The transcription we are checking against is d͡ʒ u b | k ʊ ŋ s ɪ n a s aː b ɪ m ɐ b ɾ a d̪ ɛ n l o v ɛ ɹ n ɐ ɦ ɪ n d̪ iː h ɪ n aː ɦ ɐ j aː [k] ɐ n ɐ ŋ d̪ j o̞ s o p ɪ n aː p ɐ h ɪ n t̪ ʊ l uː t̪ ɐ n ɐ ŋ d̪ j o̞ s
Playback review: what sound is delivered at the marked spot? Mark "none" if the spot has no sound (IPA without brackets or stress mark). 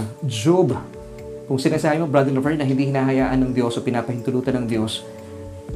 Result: ʔ